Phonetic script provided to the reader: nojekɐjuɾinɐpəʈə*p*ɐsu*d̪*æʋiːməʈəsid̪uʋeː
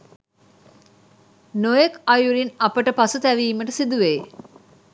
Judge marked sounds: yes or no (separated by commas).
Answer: yes, no